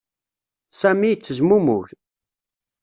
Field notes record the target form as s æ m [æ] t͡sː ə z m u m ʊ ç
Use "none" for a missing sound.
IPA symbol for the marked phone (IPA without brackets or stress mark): i